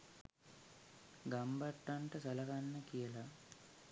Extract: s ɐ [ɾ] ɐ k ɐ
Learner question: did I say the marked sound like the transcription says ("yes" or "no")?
no